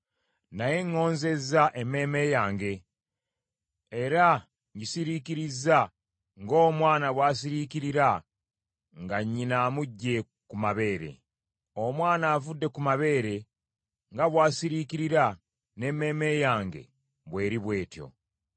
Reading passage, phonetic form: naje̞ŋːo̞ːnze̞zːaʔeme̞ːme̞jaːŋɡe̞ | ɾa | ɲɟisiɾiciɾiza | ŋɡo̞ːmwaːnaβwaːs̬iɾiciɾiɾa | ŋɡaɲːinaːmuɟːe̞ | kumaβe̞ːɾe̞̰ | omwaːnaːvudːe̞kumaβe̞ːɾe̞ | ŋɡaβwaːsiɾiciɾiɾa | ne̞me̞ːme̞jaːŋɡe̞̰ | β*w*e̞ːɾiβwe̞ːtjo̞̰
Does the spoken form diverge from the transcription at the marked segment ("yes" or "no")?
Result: no